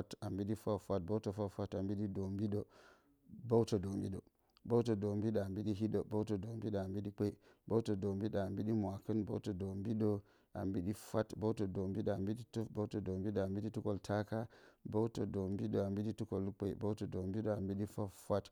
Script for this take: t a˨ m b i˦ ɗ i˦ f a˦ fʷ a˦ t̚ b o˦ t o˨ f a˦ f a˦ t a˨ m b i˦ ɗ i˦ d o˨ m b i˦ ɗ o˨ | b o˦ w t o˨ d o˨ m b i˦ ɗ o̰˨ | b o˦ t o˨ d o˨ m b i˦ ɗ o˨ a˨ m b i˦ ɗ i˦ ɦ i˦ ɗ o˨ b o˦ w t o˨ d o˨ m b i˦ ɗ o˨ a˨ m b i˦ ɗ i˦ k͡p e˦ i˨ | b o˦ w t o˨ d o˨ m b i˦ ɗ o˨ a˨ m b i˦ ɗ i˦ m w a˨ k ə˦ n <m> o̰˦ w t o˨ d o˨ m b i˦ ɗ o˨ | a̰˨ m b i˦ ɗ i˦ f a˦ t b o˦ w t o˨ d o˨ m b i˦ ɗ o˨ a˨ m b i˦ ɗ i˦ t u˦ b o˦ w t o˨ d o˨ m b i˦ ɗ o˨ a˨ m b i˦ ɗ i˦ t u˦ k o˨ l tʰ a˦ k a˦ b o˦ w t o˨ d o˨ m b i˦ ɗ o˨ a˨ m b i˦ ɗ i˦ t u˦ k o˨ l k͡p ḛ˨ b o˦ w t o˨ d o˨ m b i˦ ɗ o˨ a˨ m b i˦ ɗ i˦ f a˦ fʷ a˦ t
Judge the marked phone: incorrect: b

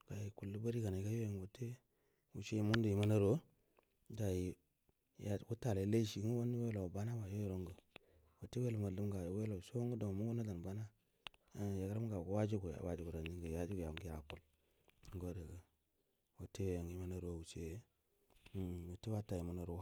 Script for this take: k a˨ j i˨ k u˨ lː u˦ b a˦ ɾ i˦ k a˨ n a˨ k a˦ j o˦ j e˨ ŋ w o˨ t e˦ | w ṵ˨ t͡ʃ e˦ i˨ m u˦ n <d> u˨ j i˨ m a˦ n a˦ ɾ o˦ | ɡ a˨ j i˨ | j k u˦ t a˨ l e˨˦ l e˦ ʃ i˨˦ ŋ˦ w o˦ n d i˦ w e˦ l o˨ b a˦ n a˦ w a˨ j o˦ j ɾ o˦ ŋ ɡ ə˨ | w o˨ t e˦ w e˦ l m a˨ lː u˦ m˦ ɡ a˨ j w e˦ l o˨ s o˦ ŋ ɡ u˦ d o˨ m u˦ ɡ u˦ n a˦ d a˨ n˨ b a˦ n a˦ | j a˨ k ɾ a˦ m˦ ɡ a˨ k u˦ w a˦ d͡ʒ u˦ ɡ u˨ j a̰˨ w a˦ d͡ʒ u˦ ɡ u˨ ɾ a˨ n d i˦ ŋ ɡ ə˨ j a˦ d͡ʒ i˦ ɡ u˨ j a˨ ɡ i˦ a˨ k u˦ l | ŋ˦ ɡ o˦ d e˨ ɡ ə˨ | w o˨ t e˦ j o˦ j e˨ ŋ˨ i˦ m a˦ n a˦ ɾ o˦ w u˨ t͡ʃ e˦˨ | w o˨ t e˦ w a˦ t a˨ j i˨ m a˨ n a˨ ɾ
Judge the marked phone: correct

